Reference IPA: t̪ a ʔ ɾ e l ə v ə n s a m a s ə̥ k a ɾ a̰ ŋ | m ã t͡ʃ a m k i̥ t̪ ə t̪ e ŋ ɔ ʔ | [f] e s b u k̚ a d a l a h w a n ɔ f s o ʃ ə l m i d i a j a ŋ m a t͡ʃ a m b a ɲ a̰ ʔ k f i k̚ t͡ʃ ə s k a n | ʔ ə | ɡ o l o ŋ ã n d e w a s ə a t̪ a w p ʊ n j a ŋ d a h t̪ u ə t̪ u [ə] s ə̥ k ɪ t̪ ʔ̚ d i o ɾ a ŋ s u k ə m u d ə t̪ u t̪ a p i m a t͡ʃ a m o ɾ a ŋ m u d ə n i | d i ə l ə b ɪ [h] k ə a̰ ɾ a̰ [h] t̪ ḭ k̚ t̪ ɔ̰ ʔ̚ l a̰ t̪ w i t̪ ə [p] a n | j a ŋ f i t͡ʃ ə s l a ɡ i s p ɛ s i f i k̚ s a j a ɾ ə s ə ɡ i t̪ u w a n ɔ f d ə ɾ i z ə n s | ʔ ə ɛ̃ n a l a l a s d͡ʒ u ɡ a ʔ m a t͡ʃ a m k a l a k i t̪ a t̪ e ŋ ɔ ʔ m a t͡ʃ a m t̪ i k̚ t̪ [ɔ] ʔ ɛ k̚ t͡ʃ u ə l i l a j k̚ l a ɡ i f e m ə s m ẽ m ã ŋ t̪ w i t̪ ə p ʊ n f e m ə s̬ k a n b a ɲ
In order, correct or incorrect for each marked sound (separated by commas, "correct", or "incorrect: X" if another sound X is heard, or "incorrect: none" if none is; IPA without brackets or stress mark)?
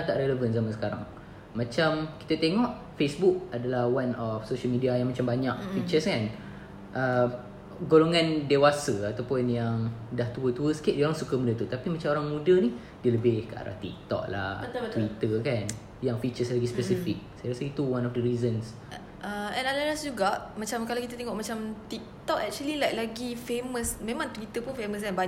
correct, correct, correct, correct, incorrect: k, correct